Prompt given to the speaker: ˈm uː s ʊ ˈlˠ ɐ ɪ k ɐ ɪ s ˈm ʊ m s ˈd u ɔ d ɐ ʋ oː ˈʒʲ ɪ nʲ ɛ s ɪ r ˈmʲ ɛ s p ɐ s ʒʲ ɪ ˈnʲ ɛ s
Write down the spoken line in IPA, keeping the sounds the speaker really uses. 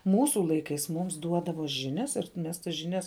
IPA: ˈm uː s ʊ ˈlˠ ɐ ɪ k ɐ ɪ s ˈm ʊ m s ˈd u ɔ d ɐ ʋ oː ˈʒʲ ɪ nʲ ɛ s ɪ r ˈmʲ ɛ s t ɐ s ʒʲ ɪ ˈnʲ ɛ s

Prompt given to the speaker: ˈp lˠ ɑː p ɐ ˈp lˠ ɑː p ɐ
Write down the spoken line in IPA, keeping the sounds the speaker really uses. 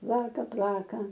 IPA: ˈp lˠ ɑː k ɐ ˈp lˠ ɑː k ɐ

